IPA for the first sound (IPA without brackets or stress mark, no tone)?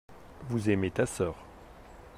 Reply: v